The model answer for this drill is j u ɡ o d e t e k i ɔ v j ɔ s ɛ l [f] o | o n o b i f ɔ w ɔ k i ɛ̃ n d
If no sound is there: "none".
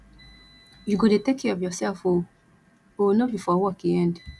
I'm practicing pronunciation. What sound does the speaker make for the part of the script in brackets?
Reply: f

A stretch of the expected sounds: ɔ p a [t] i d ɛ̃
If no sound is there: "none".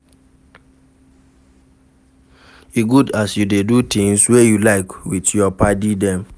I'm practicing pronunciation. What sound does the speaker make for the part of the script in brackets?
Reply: d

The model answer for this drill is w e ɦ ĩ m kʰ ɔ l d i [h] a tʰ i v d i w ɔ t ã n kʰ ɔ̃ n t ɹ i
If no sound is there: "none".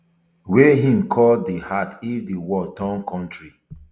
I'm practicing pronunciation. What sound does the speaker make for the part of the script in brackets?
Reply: h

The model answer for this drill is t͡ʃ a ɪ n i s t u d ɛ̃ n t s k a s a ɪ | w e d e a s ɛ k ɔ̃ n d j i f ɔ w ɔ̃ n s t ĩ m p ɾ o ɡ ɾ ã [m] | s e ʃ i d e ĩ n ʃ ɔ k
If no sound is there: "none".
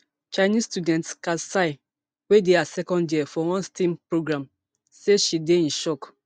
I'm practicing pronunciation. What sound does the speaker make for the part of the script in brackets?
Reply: m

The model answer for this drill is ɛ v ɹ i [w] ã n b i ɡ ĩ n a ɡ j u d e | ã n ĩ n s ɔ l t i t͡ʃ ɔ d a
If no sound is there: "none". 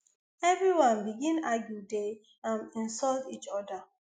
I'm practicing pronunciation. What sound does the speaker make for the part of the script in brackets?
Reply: w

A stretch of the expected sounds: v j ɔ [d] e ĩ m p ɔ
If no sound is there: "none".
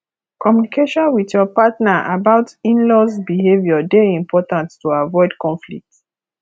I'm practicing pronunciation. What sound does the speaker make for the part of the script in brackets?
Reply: d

